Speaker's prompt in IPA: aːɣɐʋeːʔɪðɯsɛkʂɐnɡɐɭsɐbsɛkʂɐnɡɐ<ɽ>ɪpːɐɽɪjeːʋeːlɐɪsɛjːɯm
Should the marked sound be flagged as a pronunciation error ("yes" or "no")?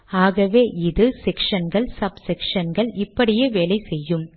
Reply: yes